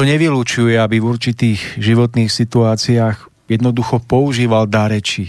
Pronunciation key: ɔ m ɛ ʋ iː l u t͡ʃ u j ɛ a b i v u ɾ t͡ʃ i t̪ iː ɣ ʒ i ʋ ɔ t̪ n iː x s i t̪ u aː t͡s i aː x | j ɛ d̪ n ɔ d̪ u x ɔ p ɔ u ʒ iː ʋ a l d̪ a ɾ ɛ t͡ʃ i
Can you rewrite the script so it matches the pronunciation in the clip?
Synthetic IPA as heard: ɔ ɲ ɛ ʋ i l u t͡ʃ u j ɛ a b i v u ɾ t͡ʃ i t̪ iː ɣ ʒ i ʋ ɔ t̪ n iː x s i t̪ u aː t͡s i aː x | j ɛ d̪ n ɔ d̪ u x ɔ p ɔ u ʒ iː ʋ a l d̪ a ɾ ɛ t͡ʃ i